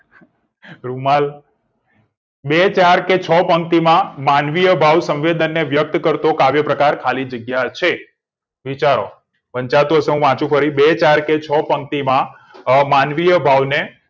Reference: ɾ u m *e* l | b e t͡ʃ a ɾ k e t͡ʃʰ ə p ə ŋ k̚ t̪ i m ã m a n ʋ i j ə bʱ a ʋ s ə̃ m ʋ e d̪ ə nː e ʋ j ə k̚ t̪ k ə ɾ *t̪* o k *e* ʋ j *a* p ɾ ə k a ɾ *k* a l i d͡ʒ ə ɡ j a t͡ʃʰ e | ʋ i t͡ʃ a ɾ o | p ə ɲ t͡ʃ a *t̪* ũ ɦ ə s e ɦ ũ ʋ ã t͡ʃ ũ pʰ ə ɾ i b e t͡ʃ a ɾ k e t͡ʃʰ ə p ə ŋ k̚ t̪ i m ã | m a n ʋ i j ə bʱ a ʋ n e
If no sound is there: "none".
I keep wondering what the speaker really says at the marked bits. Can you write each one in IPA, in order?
a, t̪, a, ə, kʰ, t̪

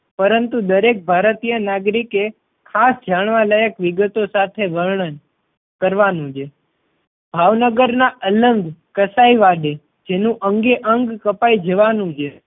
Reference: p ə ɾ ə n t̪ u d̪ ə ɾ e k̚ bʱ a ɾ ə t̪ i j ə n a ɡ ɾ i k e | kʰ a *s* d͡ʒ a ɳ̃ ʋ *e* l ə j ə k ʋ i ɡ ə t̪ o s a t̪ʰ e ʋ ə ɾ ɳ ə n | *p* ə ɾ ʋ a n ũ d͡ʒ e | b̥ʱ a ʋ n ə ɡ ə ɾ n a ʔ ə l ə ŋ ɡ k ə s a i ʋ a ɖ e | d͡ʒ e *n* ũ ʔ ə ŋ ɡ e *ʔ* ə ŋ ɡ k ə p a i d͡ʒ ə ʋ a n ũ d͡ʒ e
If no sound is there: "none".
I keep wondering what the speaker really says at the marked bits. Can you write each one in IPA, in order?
s, a, k, n, ʔ

